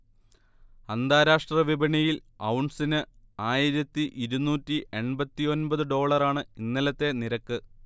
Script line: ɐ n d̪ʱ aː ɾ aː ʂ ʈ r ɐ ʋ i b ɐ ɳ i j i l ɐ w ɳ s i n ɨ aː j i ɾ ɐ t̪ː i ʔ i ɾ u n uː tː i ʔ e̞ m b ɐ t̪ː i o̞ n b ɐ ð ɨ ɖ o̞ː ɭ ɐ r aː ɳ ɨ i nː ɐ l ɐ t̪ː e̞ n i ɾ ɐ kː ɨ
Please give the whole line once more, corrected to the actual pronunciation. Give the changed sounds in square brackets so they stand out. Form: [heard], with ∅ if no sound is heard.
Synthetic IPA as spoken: ɐ n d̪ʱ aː ɾ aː ʂ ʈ r ɐ ʋ i b ɐ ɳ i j i l ɐ w ɳ s i n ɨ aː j i ɾ ɐ t̪ː i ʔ i ɾ u n uː tː i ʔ e̞ [ɳ] b ɐ t̪ː i o̞ n b ɐ ð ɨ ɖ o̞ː ɭ ɐ r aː ɳ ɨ i nː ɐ l ɐ t̪ː e̞ n i ɾ ɐ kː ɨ